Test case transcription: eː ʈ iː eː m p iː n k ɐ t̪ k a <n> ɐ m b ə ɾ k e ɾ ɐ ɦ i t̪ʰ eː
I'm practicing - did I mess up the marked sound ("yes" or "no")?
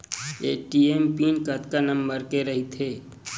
no